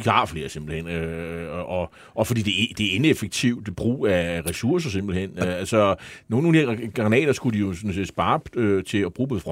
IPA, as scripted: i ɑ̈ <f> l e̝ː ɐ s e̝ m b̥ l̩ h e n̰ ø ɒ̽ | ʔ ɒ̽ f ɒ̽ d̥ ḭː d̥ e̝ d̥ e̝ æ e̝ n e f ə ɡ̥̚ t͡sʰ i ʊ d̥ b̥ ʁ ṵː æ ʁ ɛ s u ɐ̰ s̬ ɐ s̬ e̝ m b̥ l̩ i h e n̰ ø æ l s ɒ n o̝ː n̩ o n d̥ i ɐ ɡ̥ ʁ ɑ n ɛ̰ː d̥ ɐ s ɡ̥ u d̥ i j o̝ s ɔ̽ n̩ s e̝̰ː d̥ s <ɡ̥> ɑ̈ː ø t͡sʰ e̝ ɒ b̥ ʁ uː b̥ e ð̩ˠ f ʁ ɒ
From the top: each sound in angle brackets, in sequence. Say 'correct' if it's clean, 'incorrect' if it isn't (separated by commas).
correct, incorrect